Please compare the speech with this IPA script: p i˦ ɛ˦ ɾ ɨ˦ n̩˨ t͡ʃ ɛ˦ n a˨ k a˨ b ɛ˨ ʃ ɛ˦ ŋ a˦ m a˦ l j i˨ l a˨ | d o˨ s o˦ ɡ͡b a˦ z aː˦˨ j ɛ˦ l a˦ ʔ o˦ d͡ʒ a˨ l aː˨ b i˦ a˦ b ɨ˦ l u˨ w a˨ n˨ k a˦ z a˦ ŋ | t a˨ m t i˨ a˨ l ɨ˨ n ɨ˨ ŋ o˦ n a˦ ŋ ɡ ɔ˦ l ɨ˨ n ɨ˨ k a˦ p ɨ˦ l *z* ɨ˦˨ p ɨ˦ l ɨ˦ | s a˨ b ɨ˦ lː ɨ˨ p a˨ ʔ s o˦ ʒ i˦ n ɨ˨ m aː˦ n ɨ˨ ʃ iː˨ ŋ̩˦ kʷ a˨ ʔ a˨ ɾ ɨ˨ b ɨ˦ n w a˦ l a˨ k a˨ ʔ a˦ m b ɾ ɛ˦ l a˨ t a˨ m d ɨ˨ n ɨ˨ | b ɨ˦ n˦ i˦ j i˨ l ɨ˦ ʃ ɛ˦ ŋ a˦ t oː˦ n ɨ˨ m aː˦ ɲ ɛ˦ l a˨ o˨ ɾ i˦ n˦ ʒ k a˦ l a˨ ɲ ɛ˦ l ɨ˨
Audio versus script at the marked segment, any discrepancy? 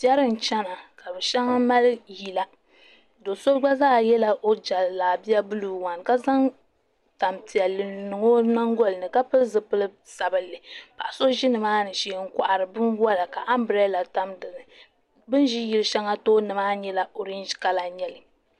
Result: no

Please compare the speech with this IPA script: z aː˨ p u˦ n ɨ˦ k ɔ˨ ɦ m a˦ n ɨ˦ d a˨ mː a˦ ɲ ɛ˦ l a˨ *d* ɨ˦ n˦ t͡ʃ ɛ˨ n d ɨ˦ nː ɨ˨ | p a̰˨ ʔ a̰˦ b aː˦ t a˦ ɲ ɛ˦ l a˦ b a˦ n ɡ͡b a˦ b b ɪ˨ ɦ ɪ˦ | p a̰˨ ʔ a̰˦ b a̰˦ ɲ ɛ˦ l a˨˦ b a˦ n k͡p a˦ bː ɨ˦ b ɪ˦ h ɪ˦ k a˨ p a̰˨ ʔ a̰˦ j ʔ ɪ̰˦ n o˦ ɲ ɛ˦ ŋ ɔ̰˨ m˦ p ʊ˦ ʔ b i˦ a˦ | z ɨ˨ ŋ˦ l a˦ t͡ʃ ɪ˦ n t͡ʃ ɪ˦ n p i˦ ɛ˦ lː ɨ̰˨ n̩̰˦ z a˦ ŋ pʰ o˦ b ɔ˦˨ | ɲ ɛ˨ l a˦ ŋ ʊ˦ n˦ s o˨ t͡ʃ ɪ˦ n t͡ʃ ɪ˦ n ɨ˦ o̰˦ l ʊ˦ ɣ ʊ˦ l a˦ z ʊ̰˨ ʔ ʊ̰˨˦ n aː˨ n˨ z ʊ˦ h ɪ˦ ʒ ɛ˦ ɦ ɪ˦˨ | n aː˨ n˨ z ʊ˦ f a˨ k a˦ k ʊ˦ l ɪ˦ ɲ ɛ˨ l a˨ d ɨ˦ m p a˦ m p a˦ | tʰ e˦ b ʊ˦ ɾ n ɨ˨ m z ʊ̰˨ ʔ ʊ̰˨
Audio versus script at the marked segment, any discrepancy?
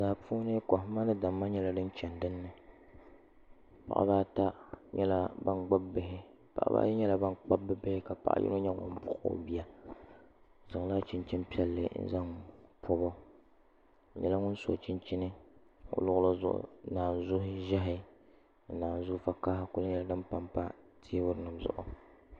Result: no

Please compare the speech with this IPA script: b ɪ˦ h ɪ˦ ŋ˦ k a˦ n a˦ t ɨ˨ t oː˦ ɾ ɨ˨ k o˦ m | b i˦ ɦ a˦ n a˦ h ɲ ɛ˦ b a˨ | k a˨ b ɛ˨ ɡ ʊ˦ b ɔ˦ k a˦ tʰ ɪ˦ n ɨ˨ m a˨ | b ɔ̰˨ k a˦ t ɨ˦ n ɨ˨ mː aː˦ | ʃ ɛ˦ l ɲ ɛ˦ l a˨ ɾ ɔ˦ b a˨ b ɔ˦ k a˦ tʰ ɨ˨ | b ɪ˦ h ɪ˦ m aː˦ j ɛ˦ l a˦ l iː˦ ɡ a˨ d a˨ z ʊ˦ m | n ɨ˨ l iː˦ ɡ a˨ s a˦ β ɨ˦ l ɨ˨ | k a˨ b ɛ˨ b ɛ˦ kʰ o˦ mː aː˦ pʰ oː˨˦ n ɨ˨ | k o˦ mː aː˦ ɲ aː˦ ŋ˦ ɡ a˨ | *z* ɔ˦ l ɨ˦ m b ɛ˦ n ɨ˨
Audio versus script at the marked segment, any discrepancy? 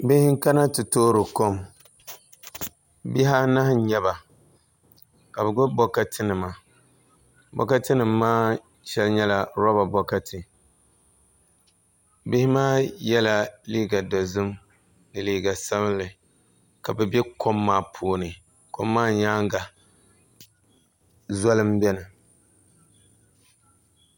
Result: no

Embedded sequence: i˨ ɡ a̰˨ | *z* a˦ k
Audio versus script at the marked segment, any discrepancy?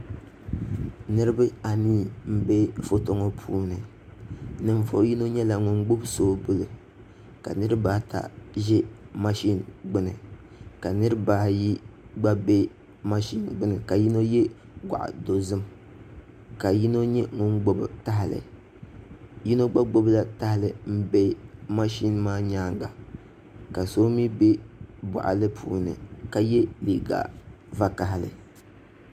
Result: yes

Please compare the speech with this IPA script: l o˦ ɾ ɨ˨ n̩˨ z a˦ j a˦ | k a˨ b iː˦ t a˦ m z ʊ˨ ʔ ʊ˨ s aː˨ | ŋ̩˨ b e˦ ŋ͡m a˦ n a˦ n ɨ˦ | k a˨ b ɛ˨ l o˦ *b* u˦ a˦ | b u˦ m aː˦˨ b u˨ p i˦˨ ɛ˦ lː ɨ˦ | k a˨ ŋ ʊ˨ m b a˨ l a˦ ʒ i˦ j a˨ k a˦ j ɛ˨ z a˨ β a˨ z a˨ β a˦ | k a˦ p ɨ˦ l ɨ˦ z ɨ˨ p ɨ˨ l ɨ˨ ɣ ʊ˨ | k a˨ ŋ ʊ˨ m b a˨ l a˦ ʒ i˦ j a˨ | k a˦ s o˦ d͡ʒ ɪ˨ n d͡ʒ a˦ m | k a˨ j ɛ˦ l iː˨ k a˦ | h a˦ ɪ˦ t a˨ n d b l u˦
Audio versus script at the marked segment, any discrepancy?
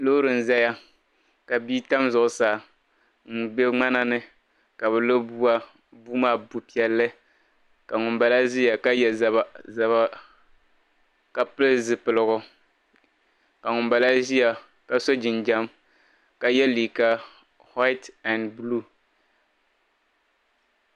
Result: no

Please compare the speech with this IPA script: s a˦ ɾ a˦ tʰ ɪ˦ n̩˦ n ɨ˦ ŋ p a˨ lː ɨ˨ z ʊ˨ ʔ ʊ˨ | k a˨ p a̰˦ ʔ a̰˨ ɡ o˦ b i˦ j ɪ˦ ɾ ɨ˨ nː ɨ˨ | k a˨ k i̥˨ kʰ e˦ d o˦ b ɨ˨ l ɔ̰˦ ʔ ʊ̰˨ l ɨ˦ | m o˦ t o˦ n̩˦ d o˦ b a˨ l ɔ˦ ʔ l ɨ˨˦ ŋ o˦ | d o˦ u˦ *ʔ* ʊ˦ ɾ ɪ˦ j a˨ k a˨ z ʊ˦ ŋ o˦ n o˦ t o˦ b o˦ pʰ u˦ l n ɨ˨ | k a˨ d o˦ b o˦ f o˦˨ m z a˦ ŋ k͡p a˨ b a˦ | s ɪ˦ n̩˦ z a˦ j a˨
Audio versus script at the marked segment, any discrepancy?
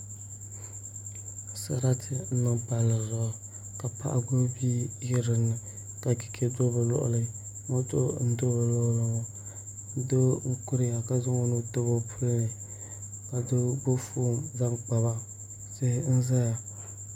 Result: yes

